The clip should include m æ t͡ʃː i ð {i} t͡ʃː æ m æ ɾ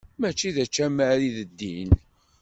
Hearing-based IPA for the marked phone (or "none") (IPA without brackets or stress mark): æ